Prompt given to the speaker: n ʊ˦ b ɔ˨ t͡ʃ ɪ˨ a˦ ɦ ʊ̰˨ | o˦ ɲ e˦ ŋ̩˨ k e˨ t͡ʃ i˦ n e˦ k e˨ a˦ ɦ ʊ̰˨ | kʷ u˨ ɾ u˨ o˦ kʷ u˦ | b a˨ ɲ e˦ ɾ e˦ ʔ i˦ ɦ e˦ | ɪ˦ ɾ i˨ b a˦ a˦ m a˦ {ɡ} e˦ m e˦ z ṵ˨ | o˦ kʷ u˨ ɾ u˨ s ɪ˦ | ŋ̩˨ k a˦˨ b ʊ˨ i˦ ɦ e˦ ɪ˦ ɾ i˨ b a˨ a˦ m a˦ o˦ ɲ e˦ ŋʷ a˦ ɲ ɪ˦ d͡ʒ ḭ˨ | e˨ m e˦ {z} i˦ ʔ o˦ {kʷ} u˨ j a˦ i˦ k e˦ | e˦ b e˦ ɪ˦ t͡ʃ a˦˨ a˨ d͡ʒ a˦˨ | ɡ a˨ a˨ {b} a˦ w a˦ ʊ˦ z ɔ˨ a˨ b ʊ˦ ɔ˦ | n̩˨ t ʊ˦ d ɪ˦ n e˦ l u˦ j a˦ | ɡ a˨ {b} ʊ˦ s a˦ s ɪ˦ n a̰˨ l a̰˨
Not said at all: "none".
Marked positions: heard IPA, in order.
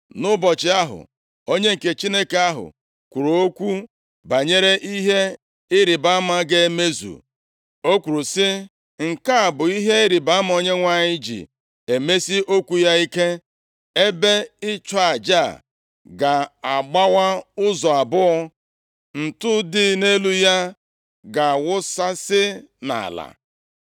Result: ɡ, s, kʷ, ɡ͡b, w

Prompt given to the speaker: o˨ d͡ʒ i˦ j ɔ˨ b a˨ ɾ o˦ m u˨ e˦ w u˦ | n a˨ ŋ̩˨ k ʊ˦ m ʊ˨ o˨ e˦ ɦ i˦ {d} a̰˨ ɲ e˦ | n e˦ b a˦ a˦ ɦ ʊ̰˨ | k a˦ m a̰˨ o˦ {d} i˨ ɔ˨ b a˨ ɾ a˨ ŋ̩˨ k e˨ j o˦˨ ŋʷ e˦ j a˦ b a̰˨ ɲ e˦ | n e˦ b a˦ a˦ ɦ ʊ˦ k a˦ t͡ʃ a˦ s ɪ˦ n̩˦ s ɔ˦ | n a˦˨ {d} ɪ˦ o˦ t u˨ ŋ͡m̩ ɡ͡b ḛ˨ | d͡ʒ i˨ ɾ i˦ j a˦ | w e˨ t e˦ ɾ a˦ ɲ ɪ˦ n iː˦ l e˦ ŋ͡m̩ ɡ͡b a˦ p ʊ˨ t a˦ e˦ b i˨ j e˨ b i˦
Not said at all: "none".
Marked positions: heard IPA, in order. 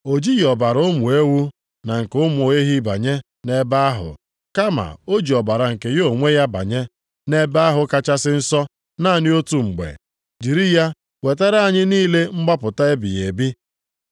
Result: b, d͡ʒ, n

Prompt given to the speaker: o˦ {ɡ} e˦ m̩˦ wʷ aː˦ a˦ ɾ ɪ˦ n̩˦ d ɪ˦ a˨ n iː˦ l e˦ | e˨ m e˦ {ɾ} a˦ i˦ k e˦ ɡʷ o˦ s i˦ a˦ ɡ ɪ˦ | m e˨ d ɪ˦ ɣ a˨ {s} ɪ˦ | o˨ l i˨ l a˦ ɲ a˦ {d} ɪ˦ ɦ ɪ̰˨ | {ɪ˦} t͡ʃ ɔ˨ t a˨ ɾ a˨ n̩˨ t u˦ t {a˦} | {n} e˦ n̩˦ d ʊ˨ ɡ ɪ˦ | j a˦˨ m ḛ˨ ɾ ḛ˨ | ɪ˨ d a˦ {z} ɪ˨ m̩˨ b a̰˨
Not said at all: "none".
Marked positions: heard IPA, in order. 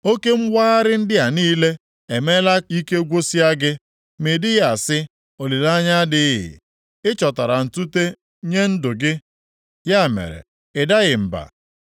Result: k, l, s, d, ɪ˦, e˦, ɲ, ɣ

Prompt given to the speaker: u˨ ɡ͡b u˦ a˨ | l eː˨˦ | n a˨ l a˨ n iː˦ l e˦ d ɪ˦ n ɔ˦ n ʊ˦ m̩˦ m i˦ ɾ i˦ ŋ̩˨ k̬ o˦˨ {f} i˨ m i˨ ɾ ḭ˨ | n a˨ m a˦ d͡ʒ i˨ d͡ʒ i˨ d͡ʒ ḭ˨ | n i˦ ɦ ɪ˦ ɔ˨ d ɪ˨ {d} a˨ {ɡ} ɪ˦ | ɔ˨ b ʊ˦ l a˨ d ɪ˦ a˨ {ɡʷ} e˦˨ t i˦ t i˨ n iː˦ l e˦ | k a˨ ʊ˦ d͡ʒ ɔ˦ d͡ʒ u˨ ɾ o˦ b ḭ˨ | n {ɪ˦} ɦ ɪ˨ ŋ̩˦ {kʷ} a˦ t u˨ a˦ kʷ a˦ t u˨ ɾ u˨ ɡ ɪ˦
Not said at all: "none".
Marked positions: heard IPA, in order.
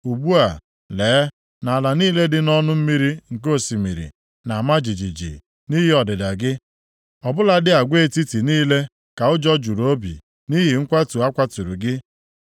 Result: s, d, ɡ, ɡʷ, i˦, kʷ

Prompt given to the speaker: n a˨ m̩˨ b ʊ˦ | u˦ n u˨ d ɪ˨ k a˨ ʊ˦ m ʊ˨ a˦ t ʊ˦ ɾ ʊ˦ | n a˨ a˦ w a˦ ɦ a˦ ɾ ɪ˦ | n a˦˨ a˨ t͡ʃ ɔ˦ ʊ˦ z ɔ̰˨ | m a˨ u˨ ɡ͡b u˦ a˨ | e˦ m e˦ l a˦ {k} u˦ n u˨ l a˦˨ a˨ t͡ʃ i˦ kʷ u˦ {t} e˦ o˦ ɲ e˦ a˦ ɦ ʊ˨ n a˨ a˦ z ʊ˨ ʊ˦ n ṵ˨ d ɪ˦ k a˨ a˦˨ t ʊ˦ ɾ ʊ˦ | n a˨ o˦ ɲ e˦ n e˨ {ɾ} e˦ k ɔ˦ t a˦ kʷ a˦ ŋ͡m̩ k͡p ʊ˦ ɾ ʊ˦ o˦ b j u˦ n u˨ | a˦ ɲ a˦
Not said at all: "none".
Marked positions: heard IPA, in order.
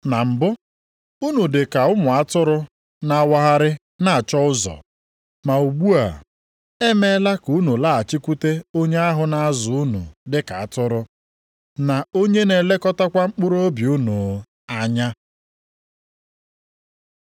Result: k, t, l

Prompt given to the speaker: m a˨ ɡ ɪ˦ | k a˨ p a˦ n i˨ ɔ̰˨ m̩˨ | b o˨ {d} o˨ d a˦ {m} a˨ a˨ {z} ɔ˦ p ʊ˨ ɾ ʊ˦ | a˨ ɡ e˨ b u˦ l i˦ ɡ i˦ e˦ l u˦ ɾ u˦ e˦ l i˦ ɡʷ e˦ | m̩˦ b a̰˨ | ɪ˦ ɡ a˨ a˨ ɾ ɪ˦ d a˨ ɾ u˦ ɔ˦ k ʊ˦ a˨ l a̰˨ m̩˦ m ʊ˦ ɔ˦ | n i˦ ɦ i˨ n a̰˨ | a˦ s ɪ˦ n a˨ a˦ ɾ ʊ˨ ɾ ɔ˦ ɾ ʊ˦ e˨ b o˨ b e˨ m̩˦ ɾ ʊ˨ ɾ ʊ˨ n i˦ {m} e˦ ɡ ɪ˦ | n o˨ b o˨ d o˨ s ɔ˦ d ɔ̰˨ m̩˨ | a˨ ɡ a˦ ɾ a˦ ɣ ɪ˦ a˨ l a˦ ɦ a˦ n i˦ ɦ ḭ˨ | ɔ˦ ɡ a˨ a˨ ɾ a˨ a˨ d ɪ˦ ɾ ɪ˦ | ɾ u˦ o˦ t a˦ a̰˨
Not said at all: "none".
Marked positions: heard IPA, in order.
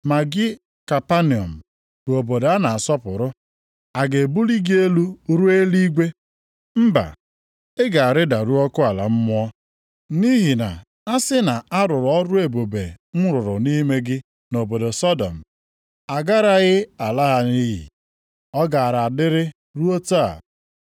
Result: b, n, s, m

